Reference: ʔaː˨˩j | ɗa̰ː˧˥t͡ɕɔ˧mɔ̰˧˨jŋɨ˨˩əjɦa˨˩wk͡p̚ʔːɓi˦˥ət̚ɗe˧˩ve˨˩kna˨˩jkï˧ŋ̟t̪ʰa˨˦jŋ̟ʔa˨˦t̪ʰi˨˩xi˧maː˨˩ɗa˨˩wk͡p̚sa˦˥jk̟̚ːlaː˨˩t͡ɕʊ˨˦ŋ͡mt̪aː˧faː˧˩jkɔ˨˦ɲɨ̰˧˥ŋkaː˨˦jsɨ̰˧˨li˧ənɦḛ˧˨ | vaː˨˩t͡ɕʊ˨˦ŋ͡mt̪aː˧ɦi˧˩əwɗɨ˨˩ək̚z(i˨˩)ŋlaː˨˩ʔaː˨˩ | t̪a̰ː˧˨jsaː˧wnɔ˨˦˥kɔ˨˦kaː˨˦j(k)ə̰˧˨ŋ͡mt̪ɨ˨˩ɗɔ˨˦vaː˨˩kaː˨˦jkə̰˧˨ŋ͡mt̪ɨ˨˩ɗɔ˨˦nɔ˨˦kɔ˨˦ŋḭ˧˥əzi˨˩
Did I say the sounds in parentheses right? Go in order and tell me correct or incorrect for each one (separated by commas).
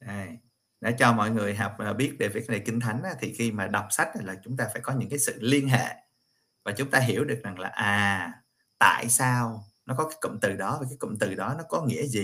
incorrect, correct